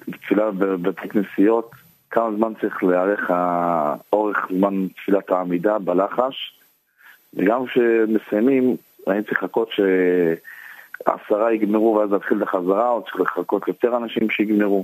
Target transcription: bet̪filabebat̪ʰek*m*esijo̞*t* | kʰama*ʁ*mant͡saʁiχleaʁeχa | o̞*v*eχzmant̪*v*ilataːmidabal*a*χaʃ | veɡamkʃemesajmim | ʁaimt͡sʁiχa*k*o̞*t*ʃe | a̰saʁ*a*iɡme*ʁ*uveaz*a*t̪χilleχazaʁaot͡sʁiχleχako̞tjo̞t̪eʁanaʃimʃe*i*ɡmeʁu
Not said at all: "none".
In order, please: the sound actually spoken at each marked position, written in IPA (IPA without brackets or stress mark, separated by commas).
n, t, z, ʁ, f, a, k, t, a, ʁ, a, i